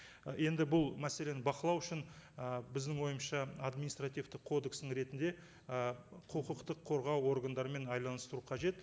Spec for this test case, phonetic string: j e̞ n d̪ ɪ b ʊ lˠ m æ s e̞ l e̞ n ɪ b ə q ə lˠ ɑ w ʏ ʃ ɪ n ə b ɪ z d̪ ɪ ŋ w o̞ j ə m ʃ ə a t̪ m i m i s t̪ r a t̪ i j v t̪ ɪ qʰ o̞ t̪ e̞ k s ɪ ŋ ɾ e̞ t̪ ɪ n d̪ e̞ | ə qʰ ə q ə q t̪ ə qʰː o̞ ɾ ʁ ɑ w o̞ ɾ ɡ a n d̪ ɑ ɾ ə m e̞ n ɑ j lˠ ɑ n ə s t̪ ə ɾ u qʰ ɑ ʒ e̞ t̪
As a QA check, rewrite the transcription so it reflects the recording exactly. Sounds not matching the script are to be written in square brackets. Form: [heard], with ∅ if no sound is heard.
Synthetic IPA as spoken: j e̞ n d̪ ɪ b ʊ lˠ m æ s e̞ l e̞ n ɪ b [ɑ] q ə lˠ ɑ w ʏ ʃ ɪ n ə b ɪ z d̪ ɪ ŋ w o̞ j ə m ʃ [ɑ] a [d̪] m i [n] i s t̪ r a t̪ i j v t̪ ɪ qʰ o̞ [d̪] e̞ k s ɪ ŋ ɾ e̞ t̪ ɪ n d̪ e̞ | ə qʰ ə q ə q t̪ ə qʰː o̞ ɾ ʁ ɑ w o̞ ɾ ɡ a n d̪ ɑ ɾ ə m e̞ n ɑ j lˠ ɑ n ə s t̪ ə ɾ u qʰ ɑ ʒ e̞ t̪

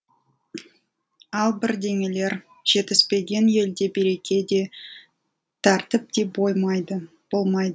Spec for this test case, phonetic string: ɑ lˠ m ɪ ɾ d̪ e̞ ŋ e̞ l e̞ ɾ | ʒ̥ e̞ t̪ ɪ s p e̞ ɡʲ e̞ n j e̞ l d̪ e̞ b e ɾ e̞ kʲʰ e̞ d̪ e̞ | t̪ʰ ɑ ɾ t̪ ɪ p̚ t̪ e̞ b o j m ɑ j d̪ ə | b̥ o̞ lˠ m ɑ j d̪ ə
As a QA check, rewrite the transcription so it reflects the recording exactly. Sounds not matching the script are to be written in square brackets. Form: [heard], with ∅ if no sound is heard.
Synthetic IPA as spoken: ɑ lˠ [b] ɪ ɾ d̪ e̞ ŋ e̞ l e̞ ɾ | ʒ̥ e̞ t̪ ɪ s p e̞ ɡʲ e̞ n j e̞ l d̪ e̞ b e ɾ e̞ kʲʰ e̞ d̪ e̞ | t̪ʰ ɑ ɾ t̪ ɪ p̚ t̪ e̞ b o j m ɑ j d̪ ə | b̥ o̞ lˠ m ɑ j d̪ ə

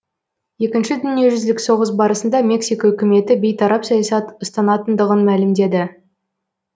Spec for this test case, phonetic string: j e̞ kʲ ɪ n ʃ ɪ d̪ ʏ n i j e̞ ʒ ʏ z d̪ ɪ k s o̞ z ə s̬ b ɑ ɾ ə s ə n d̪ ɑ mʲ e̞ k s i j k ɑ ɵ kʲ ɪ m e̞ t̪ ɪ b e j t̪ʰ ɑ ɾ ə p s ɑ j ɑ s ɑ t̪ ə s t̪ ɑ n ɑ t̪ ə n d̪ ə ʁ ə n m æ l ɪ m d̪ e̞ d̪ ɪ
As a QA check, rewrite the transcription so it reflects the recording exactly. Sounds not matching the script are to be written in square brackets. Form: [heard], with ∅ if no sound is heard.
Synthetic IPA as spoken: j e̞ kʲ ɪ n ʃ ɪ d̪ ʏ n i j e̞ ʒ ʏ z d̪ ɪ k s o̞ [ʁ] ə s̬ b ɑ ɾ ə s ə n d̪ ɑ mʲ e̞ k s i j k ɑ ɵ kʲ ɪ m e̞ t̪ ɪ b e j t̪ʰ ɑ ɾ [ɑ] p s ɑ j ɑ s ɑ t̪ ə s t̪ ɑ n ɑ t̪ ə n d̪ ə ʁ ə n m æ l ɪ m d̪ e̞ d̪ ɪ

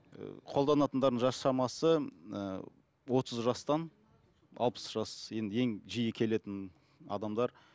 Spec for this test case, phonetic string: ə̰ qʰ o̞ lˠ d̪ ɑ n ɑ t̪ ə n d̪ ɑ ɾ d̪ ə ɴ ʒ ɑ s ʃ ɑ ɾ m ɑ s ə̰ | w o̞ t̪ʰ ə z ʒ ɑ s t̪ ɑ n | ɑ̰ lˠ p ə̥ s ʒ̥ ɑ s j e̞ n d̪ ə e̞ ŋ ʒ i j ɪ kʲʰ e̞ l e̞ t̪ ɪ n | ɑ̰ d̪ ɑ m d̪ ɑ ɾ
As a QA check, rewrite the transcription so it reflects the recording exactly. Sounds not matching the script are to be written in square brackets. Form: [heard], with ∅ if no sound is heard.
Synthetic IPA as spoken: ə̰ qʰ o̞ lˠ d̪ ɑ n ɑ t̪ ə n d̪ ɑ ɾ d̪ ə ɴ ʒ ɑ s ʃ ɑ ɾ m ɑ s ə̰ | w o̞ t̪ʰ ə z ʒ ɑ s t̪ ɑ n | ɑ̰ lˠ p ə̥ s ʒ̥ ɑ s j e̞ n d̪ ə e̞ ŋ ʒ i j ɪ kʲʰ e̞ l e̞ t̪ ɪ n | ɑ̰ d̪ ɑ m d̪ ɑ ɾ

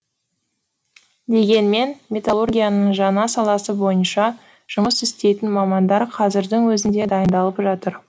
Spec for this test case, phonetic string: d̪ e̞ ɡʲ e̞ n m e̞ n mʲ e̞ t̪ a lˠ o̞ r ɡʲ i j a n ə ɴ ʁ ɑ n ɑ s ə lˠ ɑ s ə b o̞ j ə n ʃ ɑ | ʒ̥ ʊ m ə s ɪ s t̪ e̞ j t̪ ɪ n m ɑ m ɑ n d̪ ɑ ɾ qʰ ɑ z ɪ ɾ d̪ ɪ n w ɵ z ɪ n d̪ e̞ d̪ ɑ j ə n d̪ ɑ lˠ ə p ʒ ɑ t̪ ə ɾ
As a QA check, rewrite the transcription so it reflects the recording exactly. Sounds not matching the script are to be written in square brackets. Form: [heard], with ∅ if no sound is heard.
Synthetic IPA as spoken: d̪ e̞ ɡʲ e̞ n m e̞ n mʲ e̞ t̪ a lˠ o̞ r ɡʲ i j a n ə ɴ [ʒ] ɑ n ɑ s [ɑ] lˠ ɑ s ə b o̞ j ə n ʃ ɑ | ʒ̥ ʊ m ə s ɪ s t̪ e̞ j t̪ ɪ n m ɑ m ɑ n d̪ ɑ ɾ qʰ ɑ z ɪ ɾ d̪ ɪ [ŋ] w ɵ z ɪ n d̪ e̞ d̪ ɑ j ə n d̪ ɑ lˠ ə p ʒ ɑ t̪ ə ɾ

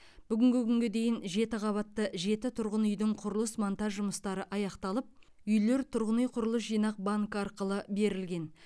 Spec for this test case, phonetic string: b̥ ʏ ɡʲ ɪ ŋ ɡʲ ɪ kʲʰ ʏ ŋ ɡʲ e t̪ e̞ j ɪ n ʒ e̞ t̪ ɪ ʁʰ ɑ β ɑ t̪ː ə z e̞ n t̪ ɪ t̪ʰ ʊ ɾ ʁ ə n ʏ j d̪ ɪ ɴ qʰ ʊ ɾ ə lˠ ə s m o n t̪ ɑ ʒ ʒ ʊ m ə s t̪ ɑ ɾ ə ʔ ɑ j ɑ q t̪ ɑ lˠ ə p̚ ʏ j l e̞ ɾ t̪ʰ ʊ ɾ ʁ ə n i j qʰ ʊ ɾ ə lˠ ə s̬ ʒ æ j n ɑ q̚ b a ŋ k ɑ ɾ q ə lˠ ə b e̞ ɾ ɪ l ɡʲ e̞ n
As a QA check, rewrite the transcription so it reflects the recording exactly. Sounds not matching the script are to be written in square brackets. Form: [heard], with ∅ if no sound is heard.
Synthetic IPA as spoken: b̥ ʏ ɡʲ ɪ ŋ ɡʲ ɪ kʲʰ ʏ ŋ ɡʲ e [d̪] e̞ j ɪ n ʒ e̞ t̪ ɪ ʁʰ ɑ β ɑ t̪ː ə [ʒ] e̞ [∅] t̪ ɪ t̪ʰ ʊ ɾ ʁ ə n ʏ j d̪ ɪ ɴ qʰ ʊ ɾ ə lˠ ə s m o n t̪ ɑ ʒ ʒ ʊ m ə s t̪ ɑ ɾ ə ʔ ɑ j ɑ q t̪ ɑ lˠ ə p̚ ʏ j l e̞ ɾ t̪ʰ ʊ ɾ ʁ ə n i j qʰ ʊ ɾ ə lˠ ə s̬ ʒ [i] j n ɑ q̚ b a ŋ k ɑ ɾ q ə lˠ ə b e̞ ɾ ɪ l ɡʲ e̞ n

